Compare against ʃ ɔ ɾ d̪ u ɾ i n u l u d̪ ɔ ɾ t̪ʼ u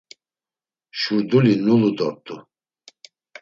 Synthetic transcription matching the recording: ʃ u ɾ d̪ u l i n u l u d̪ ɔ ɾ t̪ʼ u